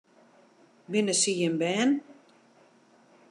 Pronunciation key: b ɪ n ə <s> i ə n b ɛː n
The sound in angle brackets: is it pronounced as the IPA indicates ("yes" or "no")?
yes